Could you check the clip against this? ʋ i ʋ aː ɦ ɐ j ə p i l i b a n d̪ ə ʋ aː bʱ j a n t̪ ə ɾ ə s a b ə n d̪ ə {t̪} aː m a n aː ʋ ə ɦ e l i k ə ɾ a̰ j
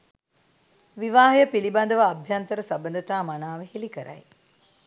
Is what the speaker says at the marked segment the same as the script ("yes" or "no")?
yes